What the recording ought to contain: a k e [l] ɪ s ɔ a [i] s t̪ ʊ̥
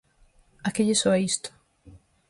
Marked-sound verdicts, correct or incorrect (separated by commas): incorrect, correct